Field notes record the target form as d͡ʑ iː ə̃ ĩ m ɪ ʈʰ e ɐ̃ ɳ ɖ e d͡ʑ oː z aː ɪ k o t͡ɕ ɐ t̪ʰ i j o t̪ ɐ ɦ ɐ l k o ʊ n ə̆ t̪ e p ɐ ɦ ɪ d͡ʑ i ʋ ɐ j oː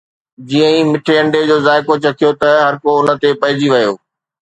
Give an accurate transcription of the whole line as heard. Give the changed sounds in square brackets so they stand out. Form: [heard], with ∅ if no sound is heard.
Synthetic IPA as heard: d͡ʑ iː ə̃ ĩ m ɪ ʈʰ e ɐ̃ ɳ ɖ e d͡ʑ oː z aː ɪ k o t͡ɕ ɐ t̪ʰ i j o t̪ ɐ ɦ ɐ [ɾ] k o ʊ n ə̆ t̪ e p ɐ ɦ ɪ d͡ʑ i ʋ ɐ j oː